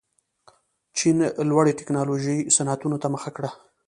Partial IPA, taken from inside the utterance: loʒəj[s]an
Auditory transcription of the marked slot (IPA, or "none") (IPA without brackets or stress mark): s